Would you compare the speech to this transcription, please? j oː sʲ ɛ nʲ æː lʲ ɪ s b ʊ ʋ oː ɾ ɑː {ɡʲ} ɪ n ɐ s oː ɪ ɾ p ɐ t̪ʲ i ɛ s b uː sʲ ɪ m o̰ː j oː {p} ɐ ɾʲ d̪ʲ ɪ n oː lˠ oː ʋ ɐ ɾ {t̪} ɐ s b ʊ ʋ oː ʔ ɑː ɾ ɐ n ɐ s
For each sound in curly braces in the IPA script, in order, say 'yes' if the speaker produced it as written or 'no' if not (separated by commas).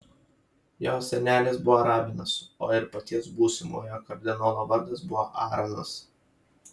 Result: no, no, no